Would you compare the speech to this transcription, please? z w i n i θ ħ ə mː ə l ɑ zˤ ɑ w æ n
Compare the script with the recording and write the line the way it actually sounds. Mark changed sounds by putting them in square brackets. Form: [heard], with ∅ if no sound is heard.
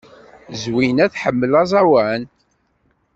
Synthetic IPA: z w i n [æ] θ ħ ə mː ə l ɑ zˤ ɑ w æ n

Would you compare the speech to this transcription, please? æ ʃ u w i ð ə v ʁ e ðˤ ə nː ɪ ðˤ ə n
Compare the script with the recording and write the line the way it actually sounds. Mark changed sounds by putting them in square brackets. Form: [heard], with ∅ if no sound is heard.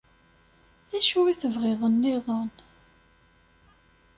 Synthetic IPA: æ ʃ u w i [θ] ə v ʁ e ðˤ ə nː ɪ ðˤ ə n

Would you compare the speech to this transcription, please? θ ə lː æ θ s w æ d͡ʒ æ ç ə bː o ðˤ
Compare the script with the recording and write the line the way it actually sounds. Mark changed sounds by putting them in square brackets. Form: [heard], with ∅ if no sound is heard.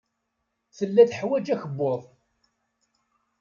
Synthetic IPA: θ ə lː æ θ [ħ] w æ d͡ʒ æ ç ə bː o ðˤ

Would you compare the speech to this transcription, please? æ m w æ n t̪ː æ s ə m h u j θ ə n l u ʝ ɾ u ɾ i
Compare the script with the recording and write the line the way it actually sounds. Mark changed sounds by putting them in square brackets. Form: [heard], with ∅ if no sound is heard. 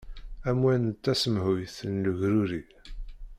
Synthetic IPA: æ m w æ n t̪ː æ s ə m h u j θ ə n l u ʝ ɾ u ɾ i

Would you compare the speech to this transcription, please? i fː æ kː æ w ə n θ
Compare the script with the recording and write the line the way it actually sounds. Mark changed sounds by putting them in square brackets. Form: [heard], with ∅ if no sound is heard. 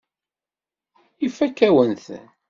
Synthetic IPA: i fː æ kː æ w ə n θ

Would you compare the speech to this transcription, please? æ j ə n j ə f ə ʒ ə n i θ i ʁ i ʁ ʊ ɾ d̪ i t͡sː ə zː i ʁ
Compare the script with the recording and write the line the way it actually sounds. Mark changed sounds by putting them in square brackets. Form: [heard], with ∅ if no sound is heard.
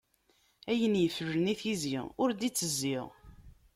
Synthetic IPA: æ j ə n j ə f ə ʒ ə n i θ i [z] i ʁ ʊ ɾ d̪ i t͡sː ə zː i ʁ

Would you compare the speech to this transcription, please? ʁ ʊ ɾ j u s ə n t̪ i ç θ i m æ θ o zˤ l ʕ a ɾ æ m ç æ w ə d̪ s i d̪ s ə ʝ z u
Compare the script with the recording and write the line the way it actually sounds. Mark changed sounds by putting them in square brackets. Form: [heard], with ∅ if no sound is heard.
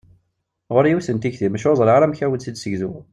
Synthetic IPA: ʁ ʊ ɾ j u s ə n t̪ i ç θ i m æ [ʃ] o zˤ l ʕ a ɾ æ m ç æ w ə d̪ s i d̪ s ə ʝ z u

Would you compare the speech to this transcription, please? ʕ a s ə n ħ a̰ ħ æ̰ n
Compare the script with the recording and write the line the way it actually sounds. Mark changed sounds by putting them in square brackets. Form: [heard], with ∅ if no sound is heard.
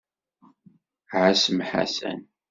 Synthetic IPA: ʕ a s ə [m] ħ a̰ [s] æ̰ n

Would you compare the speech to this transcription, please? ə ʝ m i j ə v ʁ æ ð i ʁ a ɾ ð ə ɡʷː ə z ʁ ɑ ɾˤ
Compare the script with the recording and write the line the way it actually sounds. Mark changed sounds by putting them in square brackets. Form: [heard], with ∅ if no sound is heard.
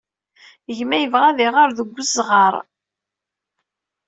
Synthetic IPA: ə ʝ m [æ] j ə v ʁ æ ð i ʁ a ɾ ð ə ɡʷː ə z ʁ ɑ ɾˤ

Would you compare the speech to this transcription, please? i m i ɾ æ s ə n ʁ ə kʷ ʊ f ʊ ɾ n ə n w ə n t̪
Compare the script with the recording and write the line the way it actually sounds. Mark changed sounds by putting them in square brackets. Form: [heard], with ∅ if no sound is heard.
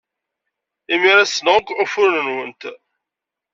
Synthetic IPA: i m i ɾ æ s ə n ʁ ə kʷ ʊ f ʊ ɾ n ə n w ə n t̪

